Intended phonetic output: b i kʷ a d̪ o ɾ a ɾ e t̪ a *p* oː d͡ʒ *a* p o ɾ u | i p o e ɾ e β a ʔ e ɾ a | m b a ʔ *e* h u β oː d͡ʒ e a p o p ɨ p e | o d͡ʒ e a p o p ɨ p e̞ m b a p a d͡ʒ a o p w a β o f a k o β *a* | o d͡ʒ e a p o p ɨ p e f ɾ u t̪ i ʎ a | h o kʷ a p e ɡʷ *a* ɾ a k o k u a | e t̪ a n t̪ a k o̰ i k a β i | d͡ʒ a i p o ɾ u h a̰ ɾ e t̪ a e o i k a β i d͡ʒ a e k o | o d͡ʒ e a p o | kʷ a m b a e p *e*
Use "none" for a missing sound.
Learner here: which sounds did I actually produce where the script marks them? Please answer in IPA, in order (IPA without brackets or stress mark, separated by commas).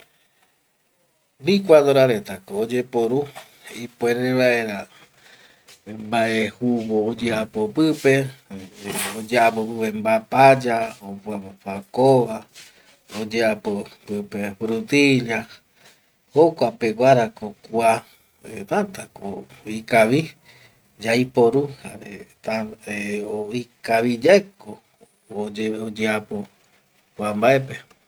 k, e, e, a, a, e